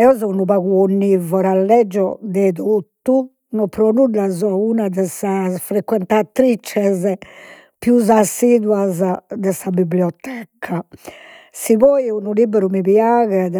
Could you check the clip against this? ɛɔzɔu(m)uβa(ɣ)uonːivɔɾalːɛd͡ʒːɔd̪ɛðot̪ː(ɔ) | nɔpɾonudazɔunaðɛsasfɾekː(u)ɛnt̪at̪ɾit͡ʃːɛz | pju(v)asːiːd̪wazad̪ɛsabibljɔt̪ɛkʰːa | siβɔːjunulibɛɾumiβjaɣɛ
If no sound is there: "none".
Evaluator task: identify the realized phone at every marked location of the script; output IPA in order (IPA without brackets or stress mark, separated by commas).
n, ɣ, u, w, z